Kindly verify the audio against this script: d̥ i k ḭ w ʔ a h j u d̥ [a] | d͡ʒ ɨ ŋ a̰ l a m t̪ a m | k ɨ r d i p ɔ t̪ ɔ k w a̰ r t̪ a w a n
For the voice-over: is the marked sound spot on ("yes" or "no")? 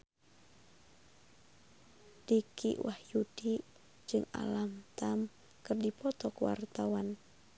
no